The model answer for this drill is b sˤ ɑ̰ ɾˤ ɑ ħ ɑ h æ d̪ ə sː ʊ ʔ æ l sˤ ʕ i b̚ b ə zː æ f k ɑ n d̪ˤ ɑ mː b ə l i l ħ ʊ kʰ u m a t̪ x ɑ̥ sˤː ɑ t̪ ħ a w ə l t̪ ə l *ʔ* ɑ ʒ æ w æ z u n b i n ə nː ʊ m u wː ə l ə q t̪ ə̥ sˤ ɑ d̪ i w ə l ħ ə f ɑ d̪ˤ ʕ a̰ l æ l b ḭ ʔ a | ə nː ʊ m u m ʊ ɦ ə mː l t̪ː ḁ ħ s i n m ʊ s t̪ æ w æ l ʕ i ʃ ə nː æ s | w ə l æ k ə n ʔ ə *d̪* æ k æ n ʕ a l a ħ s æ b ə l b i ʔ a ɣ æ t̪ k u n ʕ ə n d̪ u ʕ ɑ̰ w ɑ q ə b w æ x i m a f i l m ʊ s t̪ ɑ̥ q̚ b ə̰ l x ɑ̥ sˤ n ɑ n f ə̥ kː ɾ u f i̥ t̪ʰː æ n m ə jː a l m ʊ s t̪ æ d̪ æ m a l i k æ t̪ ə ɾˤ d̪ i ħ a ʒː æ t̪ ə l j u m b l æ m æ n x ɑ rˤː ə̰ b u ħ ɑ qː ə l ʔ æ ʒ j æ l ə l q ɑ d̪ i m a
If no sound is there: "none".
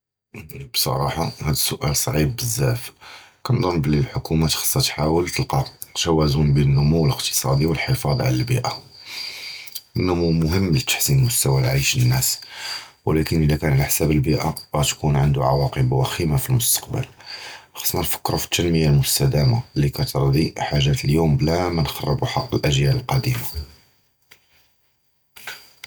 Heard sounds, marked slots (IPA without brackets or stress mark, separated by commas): q, d̪